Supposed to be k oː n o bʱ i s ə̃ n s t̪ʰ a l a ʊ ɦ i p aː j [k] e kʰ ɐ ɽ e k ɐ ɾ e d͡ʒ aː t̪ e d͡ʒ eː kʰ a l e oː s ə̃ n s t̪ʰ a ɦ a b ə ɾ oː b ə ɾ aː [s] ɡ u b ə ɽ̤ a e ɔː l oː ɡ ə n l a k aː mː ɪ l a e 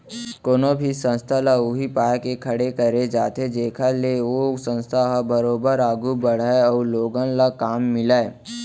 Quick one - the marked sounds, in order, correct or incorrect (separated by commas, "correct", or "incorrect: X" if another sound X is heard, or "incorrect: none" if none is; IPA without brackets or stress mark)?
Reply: correct, incorrect: none